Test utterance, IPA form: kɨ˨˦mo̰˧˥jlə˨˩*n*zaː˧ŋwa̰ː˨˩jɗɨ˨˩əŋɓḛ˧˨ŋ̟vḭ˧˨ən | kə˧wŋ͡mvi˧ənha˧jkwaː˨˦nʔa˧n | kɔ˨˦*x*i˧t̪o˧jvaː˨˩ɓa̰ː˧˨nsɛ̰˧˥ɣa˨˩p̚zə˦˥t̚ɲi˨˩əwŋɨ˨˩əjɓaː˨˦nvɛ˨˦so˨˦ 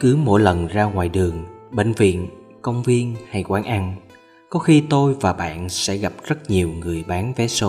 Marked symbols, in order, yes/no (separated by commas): yes, yes